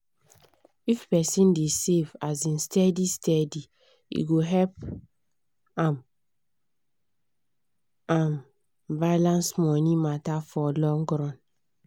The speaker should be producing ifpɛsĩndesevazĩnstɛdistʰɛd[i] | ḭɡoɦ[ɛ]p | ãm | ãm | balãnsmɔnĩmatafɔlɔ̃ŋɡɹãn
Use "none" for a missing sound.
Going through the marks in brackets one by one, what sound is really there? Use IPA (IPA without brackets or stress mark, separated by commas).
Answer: i, ɛ